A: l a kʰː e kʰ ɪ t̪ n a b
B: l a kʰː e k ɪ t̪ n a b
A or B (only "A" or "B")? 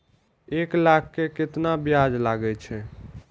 B